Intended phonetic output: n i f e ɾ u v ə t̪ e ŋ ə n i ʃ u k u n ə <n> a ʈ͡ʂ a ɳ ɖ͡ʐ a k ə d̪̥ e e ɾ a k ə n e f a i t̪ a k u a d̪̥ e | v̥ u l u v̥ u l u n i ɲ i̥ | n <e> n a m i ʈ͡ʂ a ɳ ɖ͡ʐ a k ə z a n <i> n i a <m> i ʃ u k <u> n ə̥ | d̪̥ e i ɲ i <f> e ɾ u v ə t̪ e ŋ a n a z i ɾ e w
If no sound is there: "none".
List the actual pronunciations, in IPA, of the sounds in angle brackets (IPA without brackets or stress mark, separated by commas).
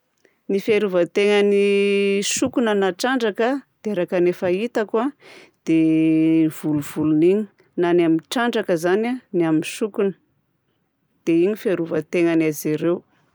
n, a, a, m, u, f